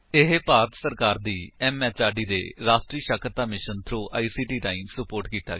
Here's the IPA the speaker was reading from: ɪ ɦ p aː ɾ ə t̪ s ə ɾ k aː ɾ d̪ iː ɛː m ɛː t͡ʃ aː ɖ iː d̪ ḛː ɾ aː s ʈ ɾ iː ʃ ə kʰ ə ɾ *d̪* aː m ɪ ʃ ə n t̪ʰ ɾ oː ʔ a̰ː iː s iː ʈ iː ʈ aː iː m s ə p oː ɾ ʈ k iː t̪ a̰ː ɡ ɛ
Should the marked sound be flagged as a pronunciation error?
yes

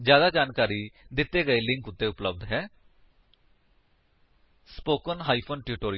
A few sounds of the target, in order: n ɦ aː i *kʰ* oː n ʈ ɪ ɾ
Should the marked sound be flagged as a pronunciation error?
yes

